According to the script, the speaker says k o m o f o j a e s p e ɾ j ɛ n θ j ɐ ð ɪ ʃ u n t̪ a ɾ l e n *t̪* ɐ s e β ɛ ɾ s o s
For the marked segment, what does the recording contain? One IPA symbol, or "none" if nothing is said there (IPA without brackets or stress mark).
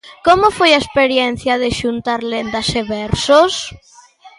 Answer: d̪